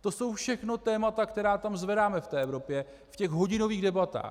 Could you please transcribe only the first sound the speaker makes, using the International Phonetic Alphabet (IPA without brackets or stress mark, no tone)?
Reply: t̪